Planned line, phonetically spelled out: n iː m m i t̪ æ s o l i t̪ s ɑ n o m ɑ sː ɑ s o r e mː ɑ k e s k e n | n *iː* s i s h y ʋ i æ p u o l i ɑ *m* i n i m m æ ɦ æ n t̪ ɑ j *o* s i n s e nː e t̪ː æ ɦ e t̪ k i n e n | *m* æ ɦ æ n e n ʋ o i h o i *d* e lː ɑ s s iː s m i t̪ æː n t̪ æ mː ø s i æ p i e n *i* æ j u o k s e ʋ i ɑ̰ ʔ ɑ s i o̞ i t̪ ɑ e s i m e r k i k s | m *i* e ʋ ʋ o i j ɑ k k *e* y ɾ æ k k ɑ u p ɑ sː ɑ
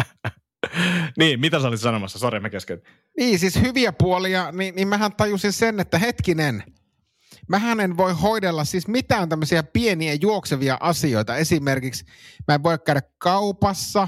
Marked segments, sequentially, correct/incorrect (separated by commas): correct, incorrect, incorrect, correct, correct, correct, incorrect, incorrect